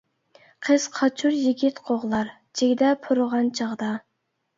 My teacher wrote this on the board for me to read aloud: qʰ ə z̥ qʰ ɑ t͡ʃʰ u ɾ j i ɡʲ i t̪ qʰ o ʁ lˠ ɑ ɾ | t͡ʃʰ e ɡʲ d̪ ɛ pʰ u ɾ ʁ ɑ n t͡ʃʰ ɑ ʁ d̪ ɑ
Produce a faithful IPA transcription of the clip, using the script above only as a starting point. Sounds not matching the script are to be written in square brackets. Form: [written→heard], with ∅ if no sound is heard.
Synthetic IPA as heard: qʰ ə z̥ qʰ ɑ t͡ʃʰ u ɾ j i ɡʲ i t̪ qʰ o ʁ lˠ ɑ ɾ | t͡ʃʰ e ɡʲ d̪ ɛ pʰ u ɾ ʁ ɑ n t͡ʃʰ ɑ ʁ d̪ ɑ